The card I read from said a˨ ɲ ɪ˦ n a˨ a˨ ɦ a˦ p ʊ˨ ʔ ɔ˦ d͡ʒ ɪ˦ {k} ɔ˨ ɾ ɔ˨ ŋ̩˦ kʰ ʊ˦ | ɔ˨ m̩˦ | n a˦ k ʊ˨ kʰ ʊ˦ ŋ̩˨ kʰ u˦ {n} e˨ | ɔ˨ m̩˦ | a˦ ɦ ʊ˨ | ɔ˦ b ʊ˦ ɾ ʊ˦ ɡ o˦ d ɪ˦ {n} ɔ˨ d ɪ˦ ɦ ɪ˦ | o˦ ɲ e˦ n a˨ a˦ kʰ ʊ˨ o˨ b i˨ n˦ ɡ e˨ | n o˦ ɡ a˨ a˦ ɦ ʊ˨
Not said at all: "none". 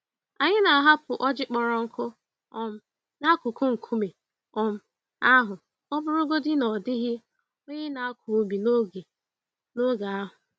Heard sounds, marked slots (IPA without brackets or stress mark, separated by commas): k͡p, m, n